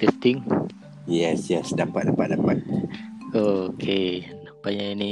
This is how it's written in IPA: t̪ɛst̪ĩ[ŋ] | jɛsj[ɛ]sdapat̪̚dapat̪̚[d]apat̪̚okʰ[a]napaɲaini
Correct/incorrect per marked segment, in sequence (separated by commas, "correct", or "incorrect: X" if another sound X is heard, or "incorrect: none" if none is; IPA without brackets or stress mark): correct, correct, correct, incorrect: e